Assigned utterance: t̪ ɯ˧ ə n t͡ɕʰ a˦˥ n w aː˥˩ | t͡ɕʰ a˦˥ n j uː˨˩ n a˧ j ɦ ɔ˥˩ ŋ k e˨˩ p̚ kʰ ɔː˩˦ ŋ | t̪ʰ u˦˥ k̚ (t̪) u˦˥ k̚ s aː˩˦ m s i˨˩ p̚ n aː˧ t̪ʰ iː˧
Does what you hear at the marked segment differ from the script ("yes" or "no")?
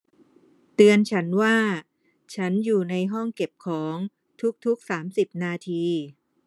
yes